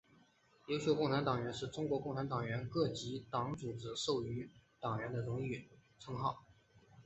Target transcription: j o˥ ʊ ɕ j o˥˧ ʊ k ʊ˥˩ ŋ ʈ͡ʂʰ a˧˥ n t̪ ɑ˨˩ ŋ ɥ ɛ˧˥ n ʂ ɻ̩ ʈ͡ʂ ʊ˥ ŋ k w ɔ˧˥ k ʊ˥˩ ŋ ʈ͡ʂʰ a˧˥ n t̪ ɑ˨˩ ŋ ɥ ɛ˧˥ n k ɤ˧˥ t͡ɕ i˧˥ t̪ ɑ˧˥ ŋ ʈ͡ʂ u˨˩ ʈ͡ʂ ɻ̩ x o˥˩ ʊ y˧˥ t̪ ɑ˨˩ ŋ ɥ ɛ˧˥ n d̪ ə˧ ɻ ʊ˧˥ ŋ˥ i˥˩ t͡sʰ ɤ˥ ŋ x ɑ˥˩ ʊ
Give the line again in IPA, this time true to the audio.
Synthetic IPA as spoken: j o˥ ʊ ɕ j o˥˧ ʊ k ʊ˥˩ ŋ ʈ͡ʂʰ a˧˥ n t̪ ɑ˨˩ ŋ ɥ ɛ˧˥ n ʂ ɻ̩ ʈ͡ʂ ʊ˥ ŋ k w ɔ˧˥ k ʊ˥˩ ŋ ʈ͡ʂʰ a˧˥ n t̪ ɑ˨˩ ŋ ɥ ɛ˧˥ n k ɤ˥˩ t͡ɕ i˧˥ t̪ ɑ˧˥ ŋ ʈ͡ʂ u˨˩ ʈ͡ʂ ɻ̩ ʂ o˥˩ ʊ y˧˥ t̪ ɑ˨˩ ŋ ɥ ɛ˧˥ n d̪ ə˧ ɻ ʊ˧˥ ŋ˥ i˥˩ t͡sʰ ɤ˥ ŋ x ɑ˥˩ ʊ

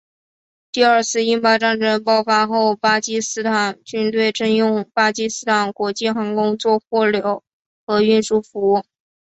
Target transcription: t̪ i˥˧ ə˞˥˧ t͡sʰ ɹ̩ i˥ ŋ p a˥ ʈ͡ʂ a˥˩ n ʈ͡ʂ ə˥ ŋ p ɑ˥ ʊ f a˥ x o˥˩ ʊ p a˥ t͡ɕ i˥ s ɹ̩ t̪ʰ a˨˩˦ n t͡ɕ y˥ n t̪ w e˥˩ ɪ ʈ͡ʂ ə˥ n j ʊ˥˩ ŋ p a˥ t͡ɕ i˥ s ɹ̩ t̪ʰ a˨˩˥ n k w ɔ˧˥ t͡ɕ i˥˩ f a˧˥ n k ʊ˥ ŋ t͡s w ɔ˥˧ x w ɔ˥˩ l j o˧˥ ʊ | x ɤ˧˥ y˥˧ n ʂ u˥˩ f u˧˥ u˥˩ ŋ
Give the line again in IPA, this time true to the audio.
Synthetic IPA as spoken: t̪ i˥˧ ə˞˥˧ t͡sʰ ɹ̩ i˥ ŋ p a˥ ʈ͡ʂ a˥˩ n ʈ͡ʂ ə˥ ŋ p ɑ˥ ʊ f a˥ x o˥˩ ʊ p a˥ t͡ɕ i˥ s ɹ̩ t̪ʰ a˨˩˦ n t͡ɕ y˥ n t̪ w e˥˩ ɪ ʈ͡ʂ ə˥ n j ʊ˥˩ ŋ p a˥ t͡ɕ i˥ s ɹ̩ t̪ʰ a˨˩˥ n k w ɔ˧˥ t͡ɕ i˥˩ x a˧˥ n k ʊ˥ ŋ t͡s w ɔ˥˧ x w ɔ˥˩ l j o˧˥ ʊ | x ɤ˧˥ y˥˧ n ʂ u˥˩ f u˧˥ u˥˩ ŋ

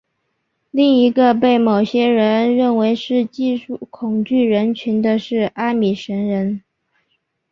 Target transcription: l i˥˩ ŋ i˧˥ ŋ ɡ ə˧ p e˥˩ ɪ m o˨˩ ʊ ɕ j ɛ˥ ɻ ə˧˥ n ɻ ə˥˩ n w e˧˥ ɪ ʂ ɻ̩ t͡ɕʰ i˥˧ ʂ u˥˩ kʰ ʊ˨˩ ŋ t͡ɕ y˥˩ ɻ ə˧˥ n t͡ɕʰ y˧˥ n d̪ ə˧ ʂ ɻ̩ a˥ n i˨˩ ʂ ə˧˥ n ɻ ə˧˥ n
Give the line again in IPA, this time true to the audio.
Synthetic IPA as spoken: l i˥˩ ŋ i˧˥ ɡ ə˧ p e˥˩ ɪ m o˨˩ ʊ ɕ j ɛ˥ ɻ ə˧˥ n ɻ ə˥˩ n w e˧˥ ɪ ʂ ɻ̩ t͡ɕ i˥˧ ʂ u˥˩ kʰ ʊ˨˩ ŋ t͡ɕ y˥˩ ɻ ə˧˥ n t͡ɕʰ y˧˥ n d̪ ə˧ ʂ ɻ̩ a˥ m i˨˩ ʂ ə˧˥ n ɻ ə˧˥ n

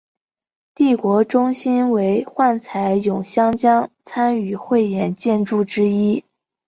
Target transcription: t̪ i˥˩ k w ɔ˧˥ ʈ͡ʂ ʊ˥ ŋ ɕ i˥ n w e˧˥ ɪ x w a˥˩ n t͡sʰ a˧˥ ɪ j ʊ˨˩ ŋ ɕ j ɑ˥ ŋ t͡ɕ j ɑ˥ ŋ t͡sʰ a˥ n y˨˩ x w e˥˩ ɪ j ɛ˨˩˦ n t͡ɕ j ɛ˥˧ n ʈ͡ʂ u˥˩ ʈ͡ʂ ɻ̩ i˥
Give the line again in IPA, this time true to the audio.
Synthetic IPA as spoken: t̪ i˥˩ k w ɔ˧˥ ʈ͡ʂ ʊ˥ ŋ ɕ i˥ n w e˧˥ ɪ x w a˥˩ n t͡sʰ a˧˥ ɪ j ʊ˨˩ ŋ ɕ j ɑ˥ ŋ t͡ɕ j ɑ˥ ŋ t͡sʰ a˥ n y˨˩ x w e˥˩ ɪ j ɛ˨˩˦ n t͡ɕ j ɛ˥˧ n ʈ͡ʂ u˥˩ ʈ͡ʂ ɻ̩ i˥

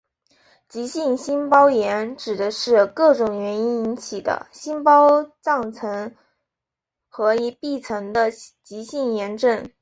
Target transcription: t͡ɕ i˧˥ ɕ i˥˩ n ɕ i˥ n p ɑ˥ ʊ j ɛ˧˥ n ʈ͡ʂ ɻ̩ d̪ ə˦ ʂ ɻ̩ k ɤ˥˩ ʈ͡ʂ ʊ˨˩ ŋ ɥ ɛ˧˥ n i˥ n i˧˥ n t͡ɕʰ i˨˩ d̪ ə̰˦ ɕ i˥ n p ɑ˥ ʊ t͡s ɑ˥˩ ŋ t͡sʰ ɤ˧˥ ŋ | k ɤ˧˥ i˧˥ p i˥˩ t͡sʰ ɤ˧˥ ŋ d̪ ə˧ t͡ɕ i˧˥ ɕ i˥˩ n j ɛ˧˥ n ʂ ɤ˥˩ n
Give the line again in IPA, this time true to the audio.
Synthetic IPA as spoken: t͡ɕ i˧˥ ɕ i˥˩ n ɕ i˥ n p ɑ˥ ʊ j ɛ˧˥ n ʈ͡ʂ ɻ̩ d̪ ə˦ ʂ ɻ̩ k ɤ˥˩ ʈ͡ʂ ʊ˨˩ ŋ ɥ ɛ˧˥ n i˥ n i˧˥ n t͡ɕʰ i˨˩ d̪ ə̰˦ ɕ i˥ n p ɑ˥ ʊ t͡s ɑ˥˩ ŋ t͡sʰ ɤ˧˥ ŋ | x ɤ˧˥ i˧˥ p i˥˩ t͡sʰ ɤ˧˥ ŋ d̪ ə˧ t͡ɕ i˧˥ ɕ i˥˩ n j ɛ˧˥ n ʈ͡ʂ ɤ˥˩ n

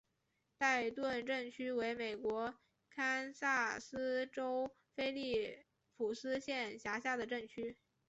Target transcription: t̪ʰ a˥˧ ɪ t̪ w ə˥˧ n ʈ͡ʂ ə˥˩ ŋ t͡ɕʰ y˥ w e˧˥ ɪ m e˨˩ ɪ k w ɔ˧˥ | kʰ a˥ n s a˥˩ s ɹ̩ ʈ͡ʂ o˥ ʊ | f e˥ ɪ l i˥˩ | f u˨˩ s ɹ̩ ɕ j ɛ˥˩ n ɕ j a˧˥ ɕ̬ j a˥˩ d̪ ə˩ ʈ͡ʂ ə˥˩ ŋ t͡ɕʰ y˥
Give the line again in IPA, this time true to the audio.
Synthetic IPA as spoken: t̪ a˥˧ ɪ t̪ w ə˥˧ n ʈ͡ʂ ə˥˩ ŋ t͡ɕʰ y˥ w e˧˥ ɪ m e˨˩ ɪ k w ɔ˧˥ | kʰ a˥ n s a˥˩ s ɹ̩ ʈ͡ʂ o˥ ʊ | f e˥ ɪ l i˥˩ | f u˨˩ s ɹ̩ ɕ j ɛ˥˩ n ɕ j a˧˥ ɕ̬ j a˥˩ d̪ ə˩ ʈ͡ʂ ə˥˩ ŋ t͡ɕʰ y˥

